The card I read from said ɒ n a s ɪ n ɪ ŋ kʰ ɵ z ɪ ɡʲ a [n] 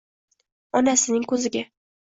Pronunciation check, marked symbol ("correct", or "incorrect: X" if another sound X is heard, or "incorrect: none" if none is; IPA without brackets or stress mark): incorrect: none